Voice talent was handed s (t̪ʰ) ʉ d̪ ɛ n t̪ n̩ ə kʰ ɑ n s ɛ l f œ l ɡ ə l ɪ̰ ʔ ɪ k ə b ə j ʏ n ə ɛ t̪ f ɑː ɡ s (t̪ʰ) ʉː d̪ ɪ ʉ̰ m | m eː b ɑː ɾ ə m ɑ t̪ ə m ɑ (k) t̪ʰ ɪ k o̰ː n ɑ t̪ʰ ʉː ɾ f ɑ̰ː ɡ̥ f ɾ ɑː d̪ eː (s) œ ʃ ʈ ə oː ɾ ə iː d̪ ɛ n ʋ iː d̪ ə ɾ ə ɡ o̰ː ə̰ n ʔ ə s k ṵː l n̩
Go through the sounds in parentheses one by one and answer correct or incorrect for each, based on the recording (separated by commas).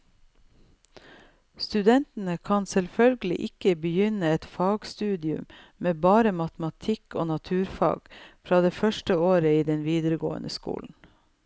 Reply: incorrect, incorrect, incorrect, incorrect